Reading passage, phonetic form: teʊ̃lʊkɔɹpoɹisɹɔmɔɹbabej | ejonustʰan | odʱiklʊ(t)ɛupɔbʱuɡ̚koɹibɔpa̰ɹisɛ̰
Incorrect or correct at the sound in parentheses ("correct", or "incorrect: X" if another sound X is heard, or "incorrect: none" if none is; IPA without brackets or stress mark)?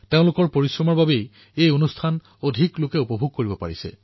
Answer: incorrect: k